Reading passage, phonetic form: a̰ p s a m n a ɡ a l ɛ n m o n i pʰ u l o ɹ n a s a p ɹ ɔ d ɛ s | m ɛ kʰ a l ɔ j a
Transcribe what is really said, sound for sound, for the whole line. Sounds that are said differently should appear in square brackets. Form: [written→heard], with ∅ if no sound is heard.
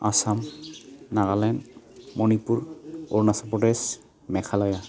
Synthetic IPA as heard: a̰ [p→∅] s a m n a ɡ a l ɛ n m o n i [pʰ→p] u [l→ɹ] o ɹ n a s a p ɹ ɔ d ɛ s | m ɛ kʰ a l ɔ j a